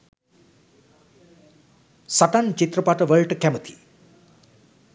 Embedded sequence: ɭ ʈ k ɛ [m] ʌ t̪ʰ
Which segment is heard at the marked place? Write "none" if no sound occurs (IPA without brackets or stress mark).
m